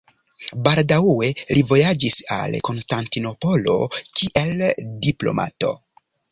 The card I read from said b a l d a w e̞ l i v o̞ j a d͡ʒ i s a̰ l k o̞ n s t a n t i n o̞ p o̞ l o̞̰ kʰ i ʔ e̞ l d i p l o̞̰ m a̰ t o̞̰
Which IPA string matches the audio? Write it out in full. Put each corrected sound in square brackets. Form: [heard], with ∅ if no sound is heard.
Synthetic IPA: b a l d a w e̞ l i v o̞ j a d͡ʒ i s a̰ l k o̞ n s t a n t i n o̞ p o̞ l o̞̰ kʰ i ʔ e̞ l d i p l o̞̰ m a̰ t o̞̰